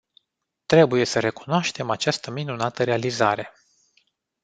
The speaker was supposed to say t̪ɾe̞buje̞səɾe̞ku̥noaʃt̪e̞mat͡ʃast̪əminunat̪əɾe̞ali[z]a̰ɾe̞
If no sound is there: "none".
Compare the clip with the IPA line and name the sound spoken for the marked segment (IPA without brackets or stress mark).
z